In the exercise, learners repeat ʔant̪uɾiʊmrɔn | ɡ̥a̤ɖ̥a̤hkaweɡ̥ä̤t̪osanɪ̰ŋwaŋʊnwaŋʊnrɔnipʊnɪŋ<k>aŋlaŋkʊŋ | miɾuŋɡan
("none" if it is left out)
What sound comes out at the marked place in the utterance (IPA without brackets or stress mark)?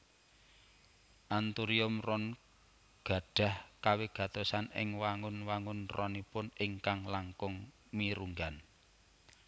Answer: k